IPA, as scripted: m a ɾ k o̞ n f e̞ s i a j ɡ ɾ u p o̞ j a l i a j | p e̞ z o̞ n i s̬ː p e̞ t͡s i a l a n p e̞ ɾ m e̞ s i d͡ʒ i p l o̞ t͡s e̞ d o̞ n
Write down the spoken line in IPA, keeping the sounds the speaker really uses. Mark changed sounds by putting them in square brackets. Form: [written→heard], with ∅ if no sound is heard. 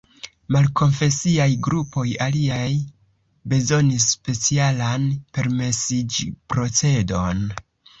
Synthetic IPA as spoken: m a [ɾ→l] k o̞ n f e̞ s i a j ɡ ɾ u p o̞ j a l i a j | [p→b] e̞ z o̞ n i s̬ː p e̞ t͡s i a l a n p e̞ ɾ m e̞ s i d͡ʒ i p [l→ɾ] o̞ t͡s e̞ d o̞ n